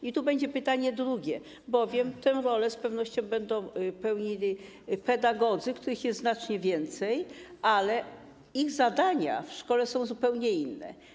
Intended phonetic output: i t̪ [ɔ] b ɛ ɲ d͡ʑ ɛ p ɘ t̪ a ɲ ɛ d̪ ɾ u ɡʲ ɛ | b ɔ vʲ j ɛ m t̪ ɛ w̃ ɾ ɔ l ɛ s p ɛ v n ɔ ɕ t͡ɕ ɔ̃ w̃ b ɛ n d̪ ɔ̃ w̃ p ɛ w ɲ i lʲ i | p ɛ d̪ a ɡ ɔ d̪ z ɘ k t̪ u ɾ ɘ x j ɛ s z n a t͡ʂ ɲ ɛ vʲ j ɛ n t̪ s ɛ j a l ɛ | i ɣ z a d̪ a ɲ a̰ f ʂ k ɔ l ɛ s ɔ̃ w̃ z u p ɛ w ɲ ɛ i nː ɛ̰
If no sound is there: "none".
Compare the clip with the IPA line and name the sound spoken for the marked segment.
u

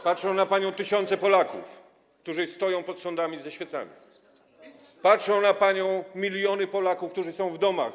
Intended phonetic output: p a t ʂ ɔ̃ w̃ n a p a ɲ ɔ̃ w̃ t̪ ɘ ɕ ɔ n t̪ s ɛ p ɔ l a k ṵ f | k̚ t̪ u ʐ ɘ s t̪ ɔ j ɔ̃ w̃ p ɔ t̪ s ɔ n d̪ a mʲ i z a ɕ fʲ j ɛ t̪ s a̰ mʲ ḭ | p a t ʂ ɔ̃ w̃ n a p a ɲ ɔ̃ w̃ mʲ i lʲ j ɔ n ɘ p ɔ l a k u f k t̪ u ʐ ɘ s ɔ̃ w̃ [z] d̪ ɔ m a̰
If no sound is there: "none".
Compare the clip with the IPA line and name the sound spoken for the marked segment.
v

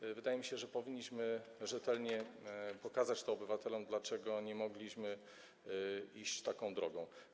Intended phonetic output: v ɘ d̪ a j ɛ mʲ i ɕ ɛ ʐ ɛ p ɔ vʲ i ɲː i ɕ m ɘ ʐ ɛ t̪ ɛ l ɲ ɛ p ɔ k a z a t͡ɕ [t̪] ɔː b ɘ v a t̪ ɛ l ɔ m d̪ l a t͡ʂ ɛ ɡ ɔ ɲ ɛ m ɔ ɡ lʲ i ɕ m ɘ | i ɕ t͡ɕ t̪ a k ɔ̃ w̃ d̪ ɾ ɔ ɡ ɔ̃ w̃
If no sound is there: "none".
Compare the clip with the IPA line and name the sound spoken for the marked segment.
t̪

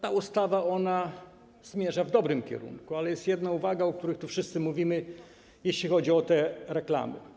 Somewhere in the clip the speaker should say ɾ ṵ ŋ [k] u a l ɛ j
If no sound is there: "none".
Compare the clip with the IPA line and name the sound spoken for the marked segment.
k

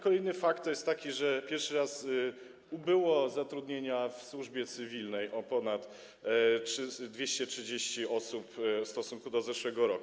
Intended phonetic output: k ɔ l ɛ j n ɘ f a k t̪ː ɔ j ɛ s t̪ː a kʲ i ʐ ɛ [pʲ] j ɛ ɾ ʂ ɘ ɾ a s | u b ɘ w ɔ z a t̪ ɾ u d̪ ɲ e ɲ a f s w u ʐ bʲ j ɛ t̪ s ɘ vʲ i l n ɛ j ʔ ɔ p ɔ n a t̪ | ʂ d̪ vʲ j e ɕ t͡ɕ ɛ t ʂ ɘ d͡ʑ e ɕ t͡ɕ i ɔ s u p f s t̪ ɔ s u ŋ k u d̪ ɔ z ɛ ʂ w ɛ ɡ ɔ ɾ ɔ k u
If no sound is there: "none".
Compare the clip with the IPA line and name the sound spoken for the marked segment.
pʲ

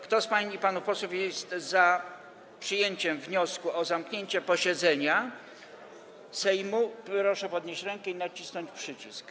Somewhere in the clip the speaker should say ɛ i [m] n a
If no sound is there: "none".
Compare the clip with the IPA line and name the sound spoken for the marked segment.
none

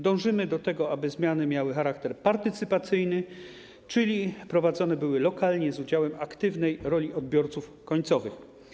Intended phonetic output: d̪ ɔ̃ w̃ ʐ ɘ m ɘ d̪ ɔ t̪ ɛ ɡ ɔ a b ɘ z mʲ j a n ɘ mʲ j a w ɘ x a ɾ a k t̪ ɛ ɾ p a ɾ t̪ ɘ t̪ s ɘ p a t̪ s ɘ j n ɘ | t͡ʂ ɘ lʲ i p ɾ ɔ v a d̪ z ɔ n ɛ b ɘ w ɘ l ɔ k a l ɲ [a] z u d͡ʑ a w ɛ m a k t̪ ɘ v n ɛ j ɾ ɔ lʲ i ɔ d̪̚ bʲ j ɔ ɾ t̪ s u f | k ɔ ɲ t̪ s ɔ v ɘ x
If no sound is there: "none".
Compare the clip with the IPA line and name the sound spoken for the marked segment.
ɛ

